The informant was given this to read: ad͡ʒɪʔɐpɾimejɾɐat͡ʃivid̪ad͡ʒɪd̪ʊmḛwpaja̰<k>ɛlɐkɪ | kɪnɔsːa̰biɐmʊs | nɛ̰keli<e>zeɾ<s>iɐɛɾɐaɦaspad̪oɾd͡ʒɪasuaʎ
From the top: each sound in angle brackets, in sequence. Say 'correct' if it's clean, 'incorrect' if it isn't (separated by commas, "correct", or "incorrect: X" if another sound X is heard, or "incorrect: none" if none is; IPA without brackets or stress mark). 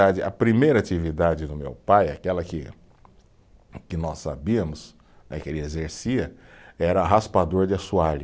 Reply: correct, correct, correct